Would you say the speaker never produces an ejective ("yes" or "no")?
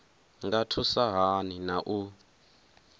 yes